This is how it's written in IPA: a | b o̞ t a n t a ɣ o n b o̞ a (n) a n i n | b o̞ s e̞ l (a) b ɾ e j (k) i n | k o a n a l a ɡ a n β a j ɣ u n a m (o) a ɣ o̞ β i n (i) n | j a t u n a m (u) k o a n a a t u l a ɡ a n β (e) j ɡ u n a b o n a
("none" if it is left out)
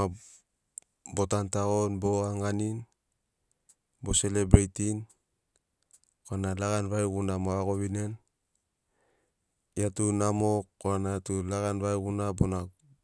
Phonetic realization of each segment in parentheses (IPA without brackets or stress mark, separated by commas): ŋ, e, t, o, e, o, a